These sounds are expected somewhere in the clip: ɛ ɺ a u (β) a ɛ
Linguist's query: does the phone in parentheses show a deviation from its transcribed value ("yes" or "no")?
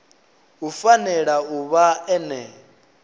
no